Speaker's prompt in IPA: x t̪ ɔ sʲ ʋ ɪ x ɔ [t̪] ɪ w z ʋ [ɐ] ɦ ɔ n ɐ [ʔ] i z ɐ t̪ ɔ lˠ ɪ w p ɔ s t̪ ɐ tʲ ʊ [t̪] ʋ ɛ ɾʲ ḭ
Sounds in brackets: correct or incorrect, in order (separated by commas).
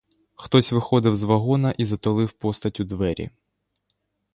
incorrect, correct, correct, incorrect